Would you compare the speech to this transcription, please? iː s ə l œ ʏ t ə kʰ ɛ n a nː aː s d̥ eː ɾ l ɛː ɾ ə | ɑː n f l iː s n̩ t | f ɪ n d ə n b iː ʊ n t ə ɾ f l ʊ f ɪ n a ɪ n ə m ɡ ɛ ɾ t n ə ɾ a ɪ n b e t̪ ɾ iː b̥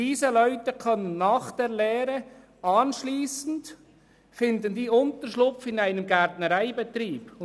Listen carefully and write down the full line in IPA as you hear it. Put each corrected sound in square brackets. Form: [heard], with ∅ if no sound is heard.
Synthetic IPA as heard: iː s ə l œ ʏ t ə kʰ [œ] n [ə] nː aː [χ] d̥ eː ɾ l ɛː ɾ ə | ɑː n [ʃ] l iː s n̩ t | f ɪ n d ə n [d] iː ʊ n t ə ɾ [ʃ] l ʊ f ɪ n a ɪ n ə m ɡ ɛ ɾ t n ə ɾ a ɪ [∅] b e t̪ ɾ iː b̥